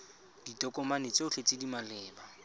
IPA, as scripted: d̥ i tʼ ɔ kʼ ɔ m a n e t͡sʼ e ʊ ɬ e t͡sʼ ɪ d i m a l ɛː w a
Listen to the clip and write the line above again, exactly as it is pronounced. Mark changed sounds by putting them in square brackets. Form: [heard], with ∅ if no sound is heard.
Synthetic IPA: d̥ i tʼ ɔ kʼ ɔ m a n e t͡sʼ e ʊ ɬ e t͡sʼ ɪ d i m a l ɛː [b] a